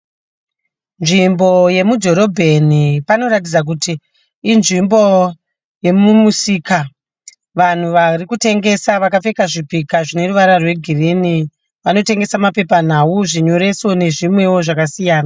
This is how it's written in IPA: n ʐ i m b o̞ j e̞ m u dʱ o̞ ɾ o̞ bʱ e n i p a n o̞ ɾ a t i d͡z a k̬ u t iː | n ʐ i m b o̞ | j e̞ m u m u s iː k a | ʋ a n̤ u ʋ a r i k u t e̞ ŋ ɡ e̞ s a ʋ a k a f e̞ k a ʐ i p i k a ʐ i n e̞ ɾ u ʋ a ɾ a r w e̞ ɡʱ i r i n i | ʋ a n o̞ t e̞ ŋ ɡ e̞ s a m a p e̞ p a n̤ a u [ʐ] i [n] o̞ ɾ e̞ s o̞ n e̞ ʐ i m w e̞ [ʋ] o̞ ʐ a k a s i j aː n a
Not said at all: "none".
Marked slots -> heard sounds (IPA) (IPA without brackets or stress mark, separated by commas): ʐ, ɲ, w